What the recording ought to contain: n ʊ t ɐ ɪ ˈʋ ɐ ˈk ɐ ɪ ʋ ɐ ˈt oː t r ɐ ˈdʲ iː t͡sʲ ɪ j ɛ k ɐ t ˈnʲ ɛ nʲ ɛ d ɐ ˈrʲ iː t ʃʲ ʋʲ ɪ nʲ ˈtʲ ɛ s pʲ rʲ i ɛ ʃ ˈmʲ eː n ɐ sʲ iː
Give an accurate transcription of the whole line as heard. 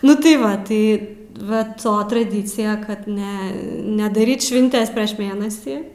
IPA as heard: n ʊ t ɐ ɪ ˈʋ ɐ ˈt ɐ ɪ ʋ ɐ ˈt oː t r ɐ ˈdʲ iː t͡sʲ ɪ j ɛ k ɐ t ˈnʲ ɛ nʲ ɛ d ɐ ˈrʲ iː t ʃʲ ʋʲ ɪ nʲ ˈtʲ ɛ s pʲ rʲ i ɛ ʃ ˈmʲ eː n ɐ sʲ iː